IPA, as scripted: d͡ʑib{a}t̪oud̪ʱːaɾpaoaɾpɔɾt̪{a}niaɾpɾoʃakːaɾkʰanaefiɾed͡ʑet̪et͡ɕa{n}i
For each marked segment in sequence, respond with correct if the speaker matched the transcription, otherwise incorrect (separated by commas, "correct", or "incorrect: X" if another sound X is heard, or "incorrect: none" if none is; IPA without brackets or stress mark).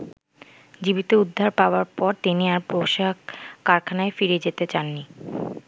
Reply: incorrect: i, incorrect: i, incorrect: nː